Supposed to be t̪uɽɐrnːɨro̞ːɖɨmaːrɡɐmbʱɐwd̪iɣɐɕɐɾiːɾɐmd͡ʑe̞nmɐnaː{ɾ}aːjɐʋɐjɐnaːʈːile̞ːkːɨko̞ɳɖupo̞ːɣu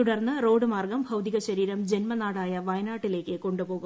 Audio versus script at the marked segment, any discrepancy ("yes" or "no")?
yes